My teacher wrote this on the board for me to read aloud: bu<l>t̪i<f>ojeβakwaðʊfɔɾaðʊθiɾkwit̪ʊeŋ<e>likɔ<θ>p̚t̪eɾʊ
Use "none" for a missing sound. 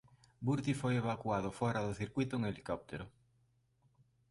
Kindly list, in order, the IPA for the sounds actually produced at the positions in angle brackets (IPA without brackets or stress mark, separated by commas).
ɾ, f, e, none